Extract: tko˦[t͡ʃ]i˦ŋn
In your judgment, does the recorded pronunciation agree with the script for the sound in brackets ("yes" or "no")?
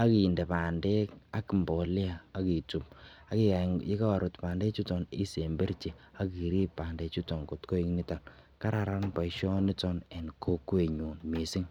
no